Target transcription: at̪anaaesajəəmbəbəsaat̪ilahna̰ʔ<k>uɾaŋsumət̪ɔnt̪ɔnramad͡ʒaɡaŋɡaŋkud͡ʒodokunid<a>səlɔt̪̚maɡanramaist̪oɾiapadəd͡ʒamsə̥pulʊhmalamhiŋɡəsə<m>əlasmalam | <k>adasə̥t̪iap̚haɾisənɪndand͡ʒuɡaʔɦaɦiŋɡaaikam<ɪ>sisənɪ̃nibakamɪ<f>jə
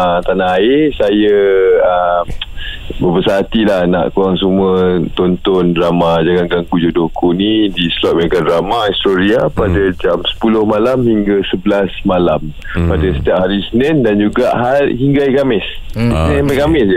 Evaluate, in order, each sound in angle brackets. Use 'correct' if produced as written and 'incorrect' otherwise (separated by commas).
correct, incorrect, incorrect, incorrect, correct, incorrect